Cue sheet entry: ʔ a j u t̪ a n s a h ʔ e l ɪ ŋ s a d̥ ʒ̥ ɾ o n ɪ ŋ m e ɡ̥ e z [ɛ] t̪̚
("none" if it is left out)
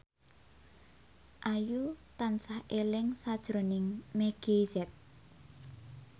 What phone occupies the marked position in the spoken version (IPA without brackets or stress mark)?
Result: ɛ